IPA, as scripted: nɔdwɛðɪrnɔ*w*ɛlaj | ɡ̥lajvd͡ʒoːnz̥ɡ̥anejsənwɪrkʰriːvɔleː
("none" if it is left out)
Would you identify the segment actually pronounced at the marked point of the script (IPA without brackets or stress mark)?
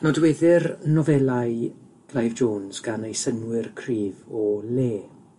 v